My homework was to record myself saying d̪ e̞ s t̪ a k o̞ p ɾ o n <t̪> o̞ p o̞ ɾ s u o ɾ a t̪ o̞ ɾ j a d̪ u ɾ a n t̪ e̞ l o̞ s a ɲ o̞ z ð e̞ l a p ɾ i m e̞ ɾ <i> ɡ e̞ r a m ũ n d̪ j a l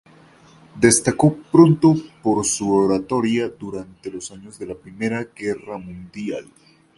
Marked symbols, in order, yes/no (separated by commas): yes, no